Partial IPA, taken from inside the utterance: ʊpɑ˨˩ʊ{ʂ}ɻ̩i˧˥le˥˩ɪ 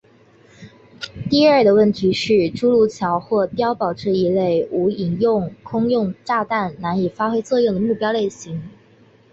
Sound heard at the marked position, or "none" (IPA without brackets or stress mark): ʈ͡ʂ